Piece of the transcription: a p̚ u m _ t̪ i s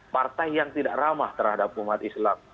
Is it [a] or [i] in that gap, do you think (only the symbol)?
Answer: a